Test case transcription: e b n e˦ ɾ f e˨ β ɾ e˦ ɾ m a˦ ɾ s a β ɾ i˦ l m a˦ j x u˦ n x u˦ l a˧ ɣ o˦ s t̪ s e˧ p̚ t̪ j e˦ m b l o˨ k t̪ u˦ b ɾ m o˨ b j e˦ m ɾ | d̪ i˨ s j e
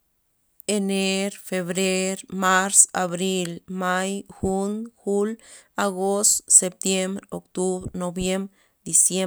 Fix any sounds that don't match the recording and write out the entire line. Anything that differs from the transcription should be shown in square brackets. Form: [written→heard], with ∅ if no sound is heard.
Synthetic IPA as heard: e [b→∅] n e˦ ɾ f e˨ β ɾ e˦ ɾ m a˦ ɾ s a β ɾ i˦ l m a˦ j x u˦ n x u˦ l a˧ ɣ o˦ s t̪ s e˧ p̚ t̪ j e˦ m b [l→ɾ] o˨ k t̪ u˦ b ɾ [m→n] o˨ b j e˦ m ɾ | d̪ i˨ s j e